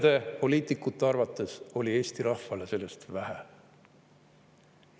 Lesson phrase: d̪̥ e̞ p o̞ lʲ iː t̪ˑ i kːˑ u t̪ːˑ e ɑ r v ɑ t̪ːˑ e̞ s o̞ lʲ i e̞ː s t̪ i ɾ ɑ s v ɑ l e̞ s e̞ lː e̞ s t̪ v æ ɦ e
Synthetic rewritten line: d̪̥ e̞ p o̞ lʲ iː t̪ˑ i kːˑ u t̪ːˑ e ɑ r v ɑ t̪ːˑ e̞ s o̞ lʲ i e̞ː s t̪ i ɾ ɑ h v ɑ l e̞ s e̞ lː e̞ s t̪ v æ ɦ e